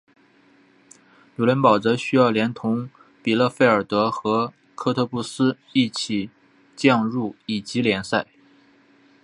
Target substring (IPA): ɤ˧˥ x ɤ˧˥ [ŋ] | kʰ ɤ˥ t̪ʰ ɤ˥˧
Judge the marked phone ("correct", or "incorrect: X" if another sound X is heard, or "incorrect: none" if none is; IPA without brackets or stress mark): incorrect: none